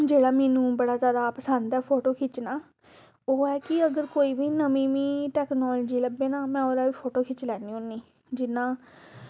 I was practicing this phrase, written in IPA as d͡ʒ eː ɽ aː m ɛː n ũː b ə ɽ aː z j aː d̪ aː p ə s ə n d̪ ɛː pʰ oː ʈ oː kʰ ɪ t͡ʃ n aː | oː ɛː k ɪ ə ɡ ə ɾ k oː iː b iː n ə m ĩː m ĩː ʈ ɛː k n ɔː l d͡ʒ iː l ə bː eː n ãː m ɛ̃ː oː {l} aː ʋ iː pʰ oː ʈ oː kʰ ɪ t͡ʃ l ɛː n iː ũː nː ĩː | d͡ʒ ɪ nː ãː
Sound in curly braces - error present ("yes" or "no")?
yes